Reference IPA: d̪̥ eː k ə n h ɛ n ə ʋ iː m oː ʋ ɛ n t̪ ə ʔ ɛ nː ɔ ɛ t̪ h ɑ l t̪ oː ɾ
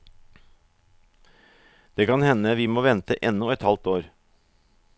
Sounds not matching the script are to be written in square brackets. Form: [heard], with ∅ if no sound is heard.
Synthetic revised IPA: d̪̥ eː k [ɑ] n h ɛ n ə ʋ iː m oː ʋ ɛ n t̪ ə ʔ ɛ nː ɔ ɛ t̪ h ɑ l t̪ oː ɾ